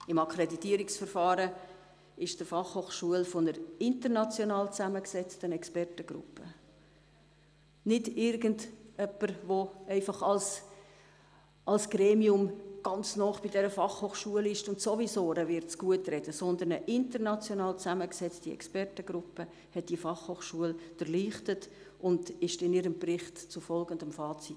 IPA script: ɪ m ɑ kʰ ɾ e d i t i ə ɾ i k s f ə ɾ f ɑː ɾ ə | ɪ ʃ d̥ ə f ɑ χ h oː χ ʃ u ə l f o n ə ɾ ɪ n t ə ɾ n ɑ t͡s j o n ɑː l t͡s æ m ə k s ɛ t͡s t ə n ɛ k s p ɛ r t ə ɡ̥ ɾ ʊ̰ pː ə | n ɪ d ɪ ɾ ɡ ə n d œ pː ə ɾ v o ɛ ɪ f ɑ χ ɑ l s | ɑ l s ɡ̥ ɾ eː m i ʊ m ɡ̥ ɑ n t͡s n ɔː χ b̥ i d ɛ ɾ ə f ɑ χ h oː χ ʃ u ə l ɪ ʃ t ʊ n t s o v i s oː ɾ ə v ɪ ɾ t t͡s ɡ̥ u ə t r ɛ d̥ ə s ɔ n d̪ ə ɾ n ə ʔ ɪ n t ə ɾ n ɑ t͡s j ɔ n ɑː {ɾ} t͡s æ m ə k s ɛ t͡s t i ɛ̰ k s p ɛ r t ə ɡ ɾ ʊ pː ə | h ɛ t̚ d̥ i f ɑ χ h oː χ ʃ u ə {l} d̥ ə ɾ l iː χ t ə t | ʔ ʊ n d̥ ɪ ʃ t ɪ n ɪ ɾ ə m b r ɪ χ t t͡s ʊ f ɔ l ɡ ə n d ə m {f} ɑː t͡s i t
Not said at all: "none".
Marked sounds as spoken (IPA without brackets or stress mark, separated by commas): l, l, f